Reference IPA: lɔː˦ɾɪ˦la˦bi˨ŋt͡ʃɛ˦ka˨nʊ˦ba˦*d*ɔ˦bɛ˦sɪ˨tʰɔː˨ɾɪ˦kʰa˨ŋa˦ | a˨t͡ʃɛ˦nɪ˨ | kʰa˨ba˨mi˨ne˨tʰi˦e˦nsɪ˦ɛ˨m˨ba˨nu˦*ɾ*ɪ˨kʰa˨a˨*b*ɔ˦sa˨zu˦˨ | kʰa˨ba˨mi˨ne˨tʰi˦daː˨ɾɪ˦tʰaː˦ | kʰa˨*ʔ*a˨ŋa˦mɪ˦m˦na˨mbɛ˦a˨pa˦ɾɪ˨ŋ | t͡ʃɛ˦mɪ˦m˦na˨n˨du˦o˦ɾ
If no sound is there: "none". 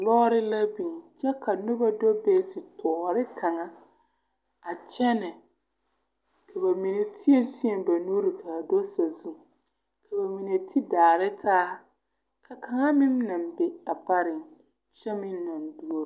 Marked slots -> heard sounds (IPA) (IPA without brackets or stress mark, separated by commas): d, ɾ, d, k